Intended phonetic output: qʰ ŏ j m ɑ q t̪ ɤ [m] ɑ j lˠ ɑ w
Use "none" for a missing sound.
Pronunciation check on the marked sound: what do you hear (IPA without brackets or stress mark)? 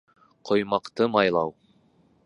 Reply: m